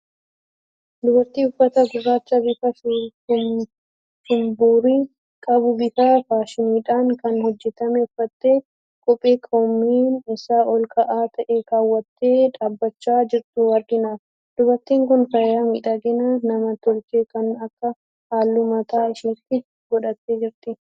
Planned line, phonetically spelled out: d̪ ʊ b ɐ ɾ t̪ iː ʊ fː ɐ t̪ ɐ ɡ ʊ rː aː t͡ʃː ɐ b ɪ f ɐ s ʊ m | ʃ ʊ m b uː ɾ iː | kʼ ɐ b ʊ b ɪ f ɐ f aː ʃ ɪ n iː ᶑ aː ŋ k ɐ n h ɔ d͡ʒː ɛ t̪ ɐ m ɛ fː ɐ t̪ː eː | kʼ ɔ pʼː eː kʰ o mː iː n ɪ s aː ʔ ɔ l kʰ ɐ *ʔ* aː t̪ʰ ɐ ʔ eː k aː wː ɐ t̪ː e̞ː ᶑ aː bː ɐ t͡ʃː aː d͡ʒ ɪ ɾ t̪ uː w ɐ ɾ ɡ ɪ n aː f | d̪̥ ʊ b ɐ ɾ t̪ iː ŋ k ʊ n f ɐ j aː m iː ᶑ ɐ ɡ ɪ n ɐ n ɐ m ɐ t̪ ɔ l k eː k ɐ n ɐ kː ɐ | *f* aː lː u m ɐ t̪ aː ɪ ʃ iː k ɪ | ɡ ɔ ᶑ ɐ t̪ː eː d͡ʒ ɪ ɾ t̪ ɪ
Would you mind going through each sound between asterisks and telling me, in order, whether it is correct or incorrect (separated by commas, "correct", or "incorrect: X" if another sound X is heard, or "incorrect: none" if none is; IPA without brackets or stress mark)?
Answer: correct, incorrect: h